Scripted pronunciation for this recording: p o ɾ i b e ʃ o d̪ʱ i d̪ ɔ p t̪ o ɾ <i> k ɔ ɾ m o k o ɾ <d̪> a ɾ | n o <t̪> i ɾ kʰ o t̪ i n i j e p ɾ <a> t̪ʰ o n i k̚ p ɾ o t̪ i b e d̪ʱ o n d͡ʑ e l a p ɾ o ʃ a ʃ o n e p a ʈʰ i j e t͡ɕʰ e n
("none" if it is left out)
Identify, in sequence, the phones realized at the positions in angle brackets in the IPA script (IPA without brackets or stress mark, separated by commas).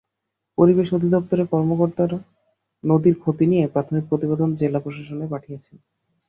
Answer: e, t̪, d̪, a